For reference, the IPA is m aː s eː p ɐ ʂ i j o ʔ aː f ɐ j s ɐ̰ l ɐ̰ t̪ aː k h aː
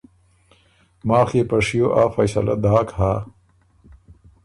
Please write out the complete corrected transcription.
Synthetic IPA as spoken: m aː x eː p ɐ ʂ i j o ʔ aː f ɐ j s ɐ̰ l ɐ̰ d̪ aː k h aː